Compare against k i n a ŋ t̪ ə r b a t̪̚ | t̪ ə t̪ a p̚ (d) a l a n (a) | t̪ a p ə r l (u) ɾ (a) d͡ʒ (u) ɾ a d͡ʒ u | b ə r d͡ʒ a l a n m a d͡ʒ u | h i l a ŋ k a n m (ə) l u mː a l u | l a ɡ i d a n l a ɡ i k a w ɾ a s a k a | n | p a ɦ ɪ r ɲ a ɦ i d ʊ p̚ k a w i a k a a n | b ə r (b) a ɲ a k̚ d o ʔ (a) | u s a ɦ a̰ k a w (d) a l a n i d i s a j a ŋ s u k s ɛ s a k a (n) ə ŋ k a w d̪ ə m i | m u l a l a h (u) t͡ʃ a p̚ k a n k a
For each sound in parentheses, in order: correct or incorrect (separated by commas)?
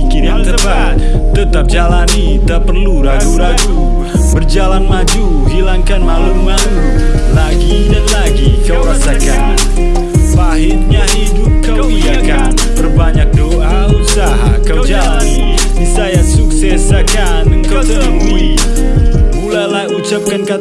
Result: incorrect, incorrect, correct, correct, correct, incorrect, correct, correct, incorrect, correct, correct